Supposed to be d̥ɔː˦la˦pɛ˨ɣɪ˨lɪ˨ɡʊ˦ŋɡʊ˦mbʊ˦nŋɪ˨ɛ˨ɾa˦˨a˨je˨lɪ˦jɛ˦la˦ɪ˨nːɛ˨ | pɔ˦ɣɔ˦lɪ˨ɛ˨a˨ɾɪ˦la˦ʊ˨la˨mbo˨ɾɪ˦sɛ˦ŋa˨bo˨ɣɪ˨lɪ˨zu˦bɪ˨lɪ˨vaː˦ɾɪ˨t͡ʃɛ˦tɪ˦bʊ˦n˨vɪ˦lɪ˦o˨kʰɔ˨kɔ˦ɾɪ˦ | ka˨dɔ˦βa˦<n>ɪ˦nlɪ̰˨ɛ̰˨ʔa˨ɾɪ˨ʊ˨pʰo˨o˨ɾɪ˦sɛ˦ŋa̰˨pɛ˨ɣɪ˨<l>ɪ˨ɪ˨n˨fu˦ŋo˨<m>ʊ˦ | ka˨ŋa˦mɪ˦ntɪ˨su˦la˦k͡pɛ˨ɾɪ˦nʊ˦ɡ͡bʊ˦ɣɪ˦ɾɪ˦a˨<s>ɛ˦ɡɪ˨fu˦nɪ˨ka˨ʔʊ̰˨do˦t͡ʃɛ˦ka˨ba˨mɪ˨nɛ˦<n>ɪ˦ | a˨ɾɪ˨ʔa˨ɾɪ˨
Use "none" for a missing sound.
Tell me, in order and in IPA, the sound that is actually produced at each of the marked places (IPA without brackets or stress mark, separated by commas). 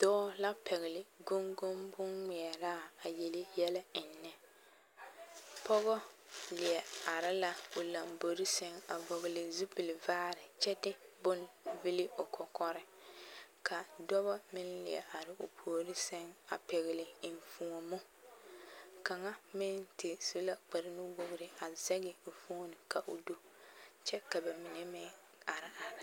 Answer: m, l, m, z, m